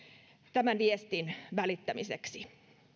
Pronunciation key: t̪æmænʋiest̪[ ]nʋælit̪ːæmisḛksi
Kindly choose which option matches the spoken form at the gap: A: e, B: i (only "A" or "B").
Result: B